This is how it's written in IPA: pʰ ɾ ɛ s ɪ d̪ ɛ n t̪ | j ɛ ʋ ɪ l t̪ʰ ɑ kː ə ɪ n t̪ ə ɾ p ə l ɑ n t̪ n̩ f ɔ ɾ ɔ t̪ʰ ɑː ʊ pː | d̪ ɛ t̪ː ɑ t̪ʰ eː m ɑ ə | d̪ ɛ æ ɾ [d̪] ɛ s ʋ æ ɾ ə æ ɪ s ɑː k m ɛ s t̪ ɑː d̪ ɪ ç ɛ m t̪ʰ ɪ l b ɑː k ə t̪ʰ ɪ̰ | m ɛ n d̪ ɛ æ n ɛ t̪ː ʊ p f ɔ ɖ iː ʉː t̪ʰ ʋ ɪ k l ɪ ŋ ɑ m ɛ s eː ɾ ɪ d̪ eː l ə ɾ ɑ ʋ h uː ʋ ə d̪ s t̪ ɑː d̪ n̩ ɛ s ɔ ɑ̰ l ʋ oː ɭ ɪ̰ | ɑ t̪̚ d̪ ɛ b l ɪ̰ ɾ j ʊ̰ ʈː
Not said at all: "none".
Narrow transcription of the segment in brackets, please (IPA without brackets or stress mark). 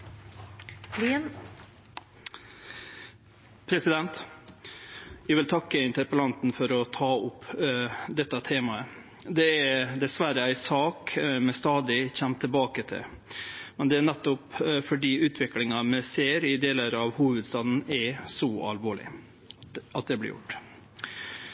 d̪